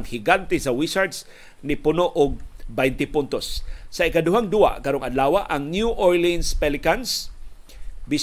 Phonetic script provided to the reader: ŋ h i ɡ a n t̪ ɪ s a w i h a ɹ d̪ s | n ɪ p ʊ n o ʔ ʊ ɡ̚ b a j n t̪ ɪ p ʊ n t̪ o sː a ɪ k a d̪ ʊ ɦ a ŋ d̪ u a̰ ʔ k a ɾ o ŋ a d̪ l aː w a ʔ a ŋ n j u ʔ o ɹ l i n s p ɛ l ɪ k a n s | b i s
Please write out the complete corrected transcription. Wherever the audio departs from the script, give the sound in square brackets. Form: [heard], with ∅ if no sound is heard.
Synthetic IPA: ŋ h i ɡ a n t̪ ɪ s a w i [s] a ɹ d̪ s | n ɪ p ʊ n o ʔ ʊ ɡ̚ b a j n t̪ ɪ p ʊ n t̪ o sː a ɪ k a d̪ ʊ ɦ a ŋ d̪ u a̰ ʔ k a ɾ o ŋ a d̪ l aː w a ʔ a ŋ n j u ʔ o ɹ l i n s p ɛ l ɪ k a n s | b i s